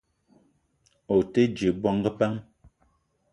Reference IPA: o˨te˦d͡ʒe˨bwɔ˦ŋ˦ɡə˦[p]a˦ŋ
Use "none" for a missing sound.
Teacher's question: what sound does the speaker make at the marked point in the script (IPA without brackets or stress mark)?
p